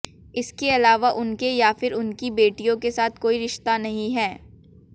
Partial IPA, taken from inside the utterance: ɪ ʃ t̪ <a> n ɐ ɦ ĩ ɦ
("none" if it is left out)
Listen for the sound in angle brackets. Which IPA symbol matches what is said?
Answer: a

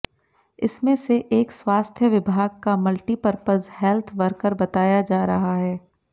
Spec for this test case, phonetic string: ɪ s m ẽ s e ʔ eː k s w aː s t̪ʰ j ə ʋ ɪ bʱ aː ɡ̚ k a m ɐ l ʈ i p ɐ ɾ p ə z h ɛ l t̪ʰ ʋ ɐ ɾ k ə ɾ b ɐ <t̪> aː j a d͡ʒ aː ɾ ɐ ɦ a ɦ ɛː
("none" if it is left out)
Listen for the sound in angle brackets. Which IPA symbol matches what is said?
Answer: t̪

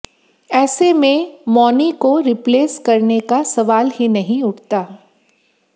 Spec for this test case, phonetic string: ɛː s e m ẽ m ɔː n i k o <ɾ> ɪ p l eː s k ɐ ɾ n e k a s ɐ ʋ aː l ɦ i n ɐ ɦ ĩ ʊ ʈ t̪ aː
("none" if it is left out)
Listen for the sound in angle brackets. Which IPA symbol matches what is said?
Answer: ɾ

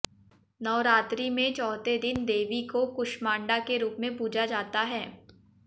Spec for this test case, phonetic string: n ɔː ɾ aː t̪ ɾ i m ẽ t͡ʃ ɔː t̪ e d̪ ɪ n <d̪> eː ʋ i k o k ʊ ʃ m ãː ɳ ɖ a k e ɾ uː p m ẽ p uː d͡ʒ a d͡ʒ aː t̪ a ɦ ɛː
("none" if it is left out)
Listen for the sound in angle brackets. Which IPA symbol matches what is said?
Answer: d̪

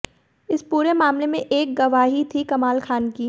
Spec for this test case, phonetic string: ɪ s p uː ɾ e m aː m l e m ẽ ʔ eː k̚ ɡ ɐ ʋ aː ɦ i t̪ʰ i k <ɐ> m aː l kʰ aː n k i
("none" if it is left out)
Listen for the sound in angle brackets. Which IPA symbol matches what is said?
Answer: ɐ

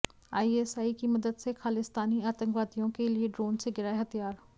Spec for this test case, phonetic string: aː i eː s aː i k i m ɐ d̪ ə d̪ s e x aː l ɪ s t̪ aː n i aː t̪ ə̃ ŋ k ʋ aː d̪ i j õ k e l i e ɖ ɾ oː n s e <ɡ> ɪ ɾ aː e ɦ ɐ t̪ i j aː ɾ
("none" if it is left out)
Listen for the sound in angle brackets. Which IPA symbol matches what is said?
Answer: ɡ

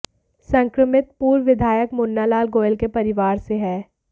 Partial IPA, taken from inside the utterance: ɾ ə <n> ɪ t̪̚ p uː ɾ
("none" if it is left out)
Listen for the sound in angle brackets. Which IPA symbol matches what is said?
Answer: m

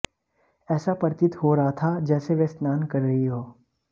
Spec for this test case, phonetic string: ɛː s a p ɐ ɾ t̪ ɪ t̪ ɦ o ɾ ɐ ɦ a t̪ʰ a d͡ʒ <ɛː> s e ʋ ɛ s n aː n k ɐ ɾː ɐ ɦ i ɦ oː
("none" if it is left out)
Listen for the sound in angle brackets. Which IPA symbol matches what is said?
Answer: ɛː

